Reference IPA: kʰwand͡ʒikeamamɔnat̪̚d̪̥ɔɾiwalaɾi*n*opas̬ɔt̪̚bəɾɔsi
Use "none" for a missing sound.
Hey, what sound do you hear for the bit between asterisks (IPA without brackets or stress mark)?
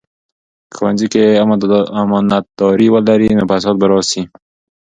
n